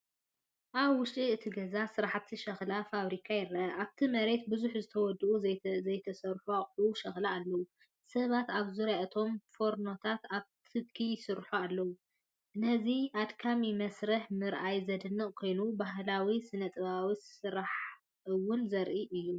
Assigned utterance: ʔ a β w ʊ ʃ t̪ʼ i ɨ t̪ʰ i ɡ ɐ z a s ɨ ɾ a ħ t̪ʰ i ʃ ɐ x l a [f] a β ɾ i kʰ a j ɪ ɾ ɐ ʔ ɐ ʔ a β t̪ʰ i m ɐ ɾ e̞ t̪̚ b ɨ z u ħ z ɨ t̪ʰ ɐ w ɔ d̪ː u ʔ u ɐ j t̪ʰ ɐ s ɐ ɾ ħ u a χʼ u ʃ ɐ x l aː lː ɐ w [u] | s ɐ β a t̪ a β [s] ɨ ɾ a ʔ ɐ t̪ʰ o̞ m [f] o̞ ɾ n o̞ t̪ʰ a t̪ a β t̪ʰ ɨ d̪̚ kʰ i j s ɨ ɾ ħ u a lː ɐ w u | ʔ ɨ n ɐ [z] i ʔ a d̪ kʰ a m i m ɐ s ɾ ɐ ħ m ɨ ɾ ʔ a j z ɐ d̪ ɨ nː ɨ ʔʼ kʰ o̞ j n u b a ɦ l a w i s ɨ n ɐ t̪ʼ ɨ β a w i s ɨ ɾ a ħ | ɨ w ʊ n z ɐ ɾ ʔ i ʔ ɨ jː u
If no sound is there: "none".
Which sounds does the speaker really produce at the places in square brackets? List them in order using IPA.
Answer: f, u, z, f, z

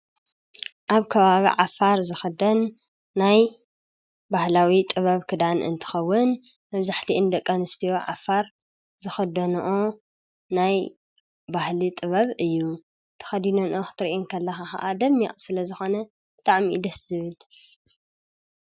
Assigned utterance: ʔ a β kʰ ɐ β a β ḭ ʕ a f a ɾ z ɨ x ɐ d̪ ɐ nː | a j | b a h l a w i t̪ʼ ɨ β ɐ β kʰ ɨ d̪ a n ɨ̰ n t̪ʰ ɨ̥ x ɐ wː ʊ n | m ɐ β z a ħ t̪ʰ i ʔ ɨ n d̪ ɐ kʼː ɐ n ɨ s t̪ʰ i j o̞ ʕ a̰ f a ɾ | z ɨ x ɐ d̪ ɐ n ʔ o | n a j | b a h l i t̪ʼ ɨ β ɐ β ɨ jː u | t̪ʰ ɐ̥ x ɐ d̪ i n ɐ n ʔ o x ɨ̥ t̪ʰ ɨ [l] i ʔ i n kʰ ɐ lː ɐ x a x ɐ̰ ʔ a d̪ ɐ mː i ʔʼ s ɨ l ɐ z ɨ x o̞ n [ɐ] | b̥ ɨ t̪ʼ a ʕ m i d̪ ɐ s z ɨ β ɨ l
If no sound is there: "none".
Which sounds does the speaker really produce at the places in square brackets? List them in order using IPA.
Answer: ɾ, ɐ

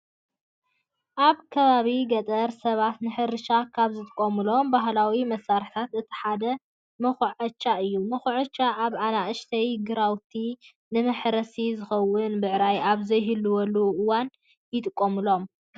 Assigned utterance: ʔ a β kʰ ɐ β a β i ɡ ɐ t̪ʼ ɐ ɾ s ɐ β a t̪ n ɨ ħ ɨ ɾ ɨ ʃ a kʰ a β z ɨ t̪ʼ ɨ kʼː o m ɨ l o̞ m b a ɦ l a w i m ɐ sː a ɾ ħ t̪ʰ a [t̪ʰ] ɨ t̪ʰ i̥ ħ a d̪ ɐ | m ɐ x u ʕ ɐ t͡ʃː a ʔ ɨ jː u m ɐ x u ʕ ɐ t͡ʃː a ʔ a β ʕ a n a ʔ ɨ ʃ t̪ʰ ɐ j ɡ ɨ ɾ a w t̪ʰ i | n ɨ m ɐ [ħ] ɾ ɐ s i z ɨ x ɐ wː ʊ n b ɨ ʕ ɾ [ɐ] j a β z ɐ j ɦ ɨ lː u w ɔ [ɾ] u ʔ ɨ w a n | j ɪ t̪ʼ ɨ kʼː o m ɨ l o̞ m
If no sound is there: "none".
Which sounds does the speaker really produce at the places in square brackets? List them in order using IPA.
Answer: t̪, ħ, a, l

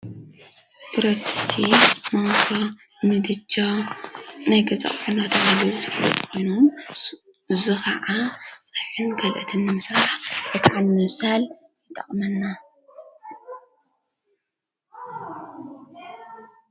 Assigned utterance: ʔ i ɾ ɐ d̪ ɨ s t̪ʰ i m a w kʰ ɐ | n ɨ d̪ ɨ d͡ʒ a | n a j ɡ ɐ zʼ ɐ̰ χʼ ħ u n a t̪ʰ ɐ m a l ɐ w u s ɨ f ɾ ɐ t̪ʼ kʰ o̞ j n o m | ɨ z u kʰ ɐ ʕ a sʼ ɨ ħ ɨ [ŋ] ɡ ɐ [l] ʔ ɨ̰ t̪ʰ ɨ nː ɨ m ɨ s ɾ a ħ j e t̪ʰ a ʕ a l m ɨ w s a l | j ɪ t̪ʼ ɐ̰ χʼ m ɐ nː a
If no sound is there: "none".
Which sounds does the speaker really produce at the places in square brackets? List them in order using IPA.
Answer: n, l

